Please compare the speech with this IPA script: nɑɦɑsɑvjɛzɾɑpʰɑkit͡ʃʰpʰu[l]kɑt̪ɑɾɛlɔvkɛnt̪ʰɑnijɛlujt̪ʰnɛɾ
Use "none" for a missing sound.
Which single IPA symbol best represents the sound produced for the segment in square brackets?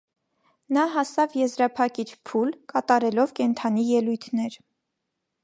l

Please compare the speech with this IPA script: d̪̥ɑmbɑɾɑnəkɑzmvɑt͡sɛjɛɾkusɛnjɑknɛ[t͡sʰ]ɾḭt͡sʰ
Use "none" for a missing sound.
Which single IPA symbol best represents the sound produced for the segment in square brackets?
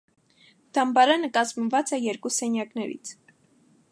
none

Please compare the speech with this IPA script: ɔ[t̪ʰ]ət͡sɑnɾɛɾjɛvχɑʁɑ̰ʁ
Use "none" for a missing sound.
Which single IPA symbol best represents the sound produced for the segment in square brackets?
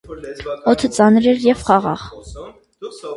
t̪ʰ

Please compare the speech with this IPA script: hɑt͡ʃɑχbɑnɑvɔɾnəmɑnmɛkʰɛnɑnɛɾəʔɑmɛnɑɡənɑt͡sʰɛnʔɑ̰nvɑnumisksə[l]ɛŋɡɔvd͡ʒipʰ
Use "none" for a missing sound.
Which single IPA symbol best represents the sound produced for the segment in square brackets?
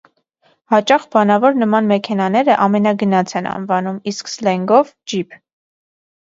l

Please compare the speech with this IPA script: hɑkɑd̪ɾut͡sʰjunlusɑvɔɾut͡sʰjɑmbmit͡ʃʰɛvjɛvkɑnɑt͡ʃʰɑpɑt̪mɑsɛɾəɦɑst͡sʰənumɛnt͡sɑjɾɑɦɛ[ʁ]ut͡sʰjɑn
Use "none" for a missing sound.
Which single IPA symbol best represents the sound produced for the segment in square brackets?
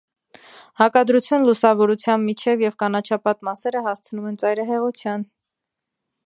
ʁ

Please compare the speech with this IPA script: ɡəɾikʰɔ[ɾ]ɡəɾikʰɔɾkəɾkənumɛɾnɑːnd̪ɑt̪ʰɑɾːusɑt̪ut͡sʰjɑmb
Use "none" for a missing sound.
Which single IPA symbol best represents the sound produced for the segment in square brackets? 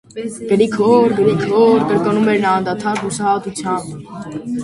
ɾ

